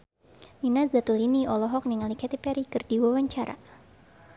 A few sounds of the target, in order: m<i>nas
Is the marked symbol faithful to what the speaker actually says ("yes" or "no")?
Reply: yes